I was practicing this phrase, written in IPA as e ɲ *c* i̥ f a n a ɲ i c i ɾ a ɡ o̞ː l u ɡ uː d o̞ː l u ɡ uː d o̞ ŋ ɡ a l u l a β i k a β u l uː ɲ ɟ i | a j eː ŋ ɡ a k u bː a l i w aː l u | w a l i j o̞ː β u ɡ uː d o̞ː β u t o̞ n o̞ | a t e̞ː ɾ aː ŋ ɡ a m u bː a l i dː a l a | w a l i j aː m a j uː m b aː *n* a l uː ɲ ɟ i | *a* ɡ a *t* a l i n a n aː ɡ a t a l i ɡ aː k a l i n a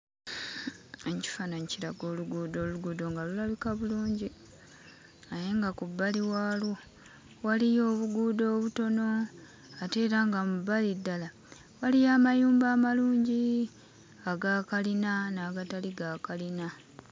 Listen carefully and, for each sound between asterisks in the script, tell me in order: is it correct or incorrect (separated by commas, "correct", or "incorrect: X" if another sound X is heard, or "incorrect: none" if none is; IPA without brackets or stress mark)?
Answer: correct, incorrect: m, correct, incorrect: k